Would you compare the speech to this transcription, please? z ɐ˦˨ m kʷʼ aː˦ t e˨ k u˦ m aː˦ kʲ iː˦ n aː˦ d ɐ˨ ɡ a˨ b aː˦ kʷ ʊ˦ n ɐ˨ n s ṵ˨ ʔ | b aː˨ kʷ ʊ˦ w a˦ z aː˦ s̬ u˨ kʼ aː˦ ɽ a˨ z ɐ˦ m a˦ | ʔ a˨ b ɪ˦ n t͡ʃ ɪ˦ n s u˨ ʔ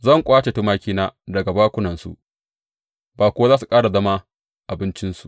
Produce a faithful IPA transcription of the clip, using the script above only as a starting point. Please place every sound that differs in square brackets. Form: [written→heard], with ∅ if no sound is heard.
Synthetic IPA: z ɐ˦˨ [m→ŋ] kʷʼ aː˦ [t→t͡ʃ] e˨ [k→t] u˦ m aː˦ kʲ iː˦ n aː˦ d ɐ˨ ɡ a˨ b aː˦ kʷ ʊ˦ n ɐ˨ n s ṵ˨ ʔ | b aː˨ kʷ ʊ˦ w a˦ z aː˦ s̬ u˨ kʼ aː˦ ɽ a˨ z ɐ˦ m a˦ | ʔ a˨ b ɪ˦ n t͡ʃ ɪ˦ n s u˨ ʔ